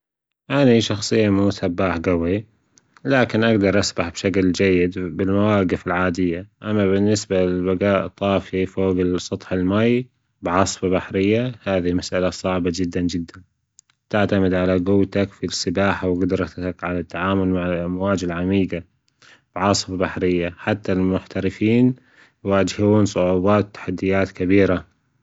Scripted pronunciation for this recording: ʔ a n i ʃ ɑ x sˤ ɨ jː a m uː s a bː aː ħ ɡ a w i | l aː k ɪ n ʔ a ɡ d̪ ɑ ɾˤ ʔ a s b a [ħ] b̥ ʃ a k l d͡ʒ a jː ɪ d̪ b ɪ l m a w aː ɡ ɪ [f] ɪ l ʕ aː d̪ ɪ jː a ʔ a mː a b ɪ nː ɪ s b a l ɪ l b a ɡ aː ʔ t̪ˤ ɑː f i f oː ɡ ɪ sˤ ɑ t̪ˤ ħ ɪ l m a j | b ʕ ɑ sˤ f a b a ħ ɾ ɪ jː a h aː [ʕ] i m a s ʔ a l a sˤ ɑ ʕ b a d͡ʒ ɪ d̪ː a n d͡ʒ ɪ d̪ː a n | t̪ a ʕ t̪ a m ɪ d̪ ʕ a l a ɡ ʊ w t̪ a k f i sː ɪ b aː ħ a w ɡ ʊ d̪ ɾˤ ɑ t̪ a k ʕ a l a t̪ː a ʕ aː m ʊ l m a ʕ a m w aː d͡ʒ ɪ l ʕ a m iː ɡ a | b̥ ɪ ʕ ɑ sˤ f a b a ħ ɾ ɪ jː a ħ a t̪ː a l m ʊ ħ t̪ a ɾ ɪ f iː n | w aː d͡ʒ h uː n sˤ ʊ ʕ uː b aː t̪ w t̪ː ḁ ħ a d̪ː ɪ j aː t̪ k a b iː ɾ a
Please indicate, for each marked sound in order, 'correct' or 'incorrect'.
correct, correct, incorrect: ð

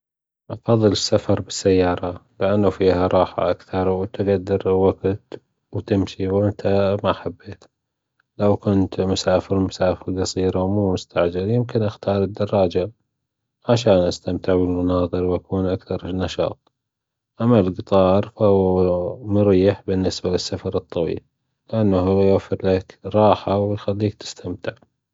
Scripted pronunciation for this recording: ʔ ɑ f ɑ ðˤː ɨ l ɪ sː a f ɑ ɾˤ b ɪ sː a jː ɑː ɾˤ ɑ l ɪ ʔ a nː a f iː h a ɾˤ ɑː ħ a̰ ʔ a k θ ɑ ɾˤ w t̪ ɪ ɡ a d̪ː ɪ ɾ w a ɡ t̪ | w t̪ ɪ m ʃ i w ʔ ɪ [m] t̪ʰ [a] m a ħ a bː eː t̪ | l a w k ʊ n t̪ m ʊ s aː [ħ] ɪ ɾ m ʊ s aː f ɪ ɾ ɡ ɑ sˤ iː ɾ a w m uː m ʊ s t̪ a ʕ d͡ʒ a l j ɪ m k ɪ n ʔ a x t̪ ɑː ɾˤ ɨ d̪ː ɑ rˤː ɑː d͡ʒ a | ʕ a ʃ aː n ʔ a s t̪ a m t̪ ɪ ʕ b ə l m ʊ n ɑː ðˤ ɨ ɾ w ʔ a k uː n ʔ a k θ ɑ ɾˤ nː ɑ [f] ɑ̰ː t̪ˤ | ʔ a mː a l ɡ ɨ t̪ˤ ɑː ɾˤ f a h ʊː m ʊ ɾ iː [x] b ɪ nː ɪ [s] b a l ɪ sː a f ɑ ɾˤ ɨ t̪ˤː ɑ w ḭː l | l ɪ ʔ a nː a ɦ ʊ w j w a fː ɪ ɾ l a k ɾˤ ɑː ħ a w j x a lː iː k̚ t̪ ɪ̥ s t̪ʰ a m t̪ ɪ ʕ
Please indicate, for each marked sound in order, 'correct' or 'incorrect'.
incorrect: n, correct, incorrect: f, incorrect: ʃ, incorrect: ħ, correct

